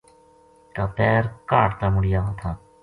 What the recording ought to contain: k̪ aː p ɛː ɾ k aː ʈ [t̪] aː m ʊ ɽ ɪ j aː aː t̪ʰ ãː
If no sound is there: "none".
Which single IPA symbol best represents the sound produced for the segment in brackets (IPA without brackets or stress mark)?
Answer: t̪